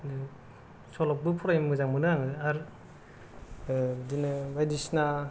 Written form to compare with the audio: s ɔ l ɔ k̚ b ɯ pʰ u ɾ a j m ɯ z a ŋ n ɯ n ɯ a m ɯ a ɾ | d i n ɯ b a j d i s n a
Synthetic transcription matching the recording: s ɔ l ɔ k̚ b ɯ pʰ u ɾ a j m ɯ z a ŋ m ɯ n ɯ a ŋ ɯ a ɾ | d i n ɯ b a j d i s n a